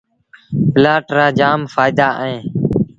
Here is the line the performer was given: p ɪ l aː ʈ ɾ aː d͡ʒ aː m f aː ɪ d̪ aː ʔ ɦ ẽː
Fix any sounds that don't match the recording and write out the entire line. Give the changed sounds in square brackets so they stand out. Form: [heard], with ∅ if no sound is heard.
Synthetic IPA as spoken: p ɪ l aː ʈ ɾ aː d͡ʒ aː m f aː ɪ d̪ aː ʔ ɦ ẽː